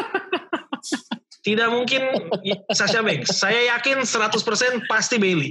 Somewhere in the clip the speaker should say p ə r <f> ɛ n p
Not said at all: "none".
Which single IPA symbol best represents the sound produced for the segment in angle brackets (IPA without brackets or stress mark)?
s